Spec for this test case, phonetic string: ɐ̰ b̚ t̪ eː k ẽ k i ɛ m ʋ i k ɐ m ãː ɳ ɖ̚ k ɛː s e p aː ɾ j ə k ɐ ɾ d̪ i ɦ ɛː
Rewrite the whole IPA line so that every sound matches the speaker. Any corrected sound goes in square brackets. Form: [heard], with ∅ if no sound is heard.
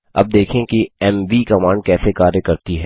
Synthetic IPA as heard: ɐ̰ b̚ [d̪] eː [kʰ] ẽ k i ɛ m ʋ i k ɐ m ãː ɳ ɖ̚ k ɛː s e [k] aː ɾ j ə k ɐ ɾ [t̪] i ɦ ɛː